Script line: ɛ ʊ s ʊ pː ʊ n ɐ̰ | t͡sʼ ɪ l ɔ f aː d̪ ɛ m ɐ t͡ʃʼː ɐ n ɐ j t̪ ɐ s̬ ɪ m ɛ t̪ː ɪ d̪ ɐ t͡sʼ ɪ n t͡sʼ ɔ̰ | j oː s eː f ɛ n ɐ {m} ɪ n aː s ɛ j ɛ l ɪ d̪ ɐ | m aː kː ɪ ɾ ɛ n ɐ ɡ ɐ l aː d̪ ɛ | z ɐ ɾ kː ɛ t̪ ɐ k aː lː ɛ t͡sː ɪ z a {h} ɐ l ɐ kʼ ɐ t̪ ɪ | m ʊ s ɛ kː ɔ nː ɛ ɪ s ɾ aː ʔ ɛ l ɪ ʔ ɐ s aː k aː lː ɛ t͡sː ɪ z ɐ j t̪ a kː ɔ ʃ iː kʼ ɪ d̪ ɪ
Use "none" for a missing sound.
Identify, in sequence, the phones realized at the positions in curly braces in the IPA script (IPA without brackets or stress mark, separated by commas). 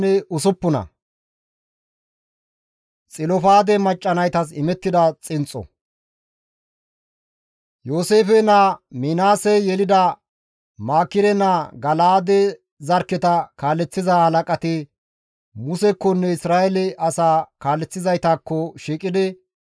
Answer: m, h